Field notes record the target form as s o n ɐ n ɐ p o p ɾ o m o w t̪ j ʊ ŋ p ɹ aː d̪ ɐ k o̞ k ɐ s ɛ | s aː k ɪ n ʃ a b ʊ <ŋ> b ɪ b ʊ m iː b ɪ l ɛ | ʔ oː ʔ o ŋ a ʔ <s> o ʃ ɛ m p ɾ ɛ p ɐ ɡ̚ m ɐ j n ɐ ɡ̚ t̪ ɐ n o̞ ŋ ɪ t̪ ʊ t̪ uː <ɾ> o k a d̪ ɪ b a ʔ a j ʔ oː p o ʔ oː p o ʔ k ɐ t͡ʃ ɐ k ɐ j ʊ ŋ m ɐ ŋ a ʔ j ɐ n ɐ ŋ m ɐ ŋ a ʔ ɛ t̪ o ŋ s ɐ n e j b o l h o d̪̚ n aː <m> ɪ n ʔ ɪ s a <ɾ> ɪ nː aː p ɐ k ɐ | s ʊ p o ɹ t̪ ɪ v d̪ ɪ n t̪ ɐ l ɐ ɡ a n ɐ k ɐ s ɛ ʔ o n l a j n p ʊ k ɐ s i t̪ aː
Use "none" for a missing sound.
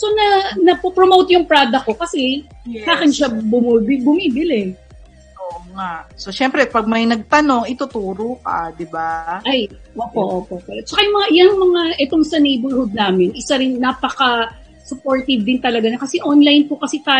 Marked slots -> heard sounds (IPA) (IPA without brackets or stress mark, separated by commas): m, s, ɾ, m, ɾ